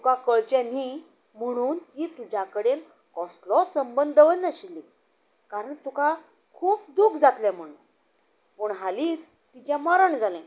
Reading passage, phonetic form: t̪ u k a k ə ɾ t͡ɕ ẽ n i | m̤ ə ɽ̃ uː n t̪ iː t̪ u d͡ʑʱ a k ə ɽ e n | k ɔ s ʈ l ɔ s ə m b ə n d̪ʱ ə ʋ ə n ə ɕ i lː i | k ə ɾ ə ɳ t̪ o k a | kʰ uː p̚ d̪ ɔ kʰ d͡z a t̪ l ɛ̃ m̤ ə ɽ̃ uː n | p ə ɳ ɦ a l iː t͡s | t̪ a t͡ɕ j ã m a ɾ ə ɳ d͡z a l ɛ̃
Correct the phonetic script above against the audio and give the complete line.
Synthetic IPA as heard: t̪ u k a k ə ɭ t͡ɕ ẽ n i | m̤ ə ɽ̃ uː n t̪ iː t̪ u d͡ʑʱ a k ə ɽ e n | k ɔ s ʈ l ɔ s ə m b ə n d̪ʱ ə ʋ ə n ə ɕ i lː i | k a ɾ ə ɳ t̪ u k a | kʰ uː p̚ d̪ u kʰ d͡z a t̪ l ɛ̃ m̤ ə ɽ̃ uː n | p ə ɳ ɦ a l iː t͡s | t̪ i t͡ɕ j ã m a ɾ ə ɳ d͡z a l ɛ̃